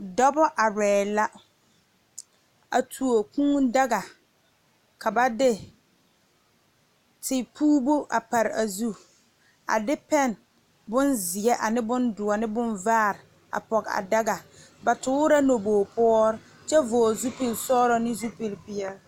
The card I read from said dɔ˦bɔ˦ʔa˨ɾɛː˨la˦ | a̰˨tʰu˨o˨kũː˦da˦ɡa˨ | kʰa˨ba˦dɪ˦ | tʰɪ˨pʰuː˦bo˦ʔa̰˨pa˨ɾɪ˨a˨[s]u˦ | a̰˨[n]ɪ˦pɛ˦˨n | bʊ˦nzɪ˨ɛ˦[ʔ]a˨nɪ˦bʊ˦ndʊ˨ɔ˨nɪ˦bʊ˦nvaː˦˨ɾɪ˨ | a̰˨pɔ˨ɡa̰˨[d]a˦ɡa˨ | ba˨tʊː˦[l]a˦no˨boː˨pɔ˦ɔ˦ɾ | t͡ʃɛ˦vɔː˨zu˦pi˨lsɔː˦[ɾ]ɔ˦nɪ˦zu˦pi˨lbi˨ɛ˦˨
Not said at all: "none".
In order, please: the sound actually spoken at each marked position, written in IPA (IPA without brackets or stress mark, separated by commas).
z, d, ʔ, d, ɾ, ɾ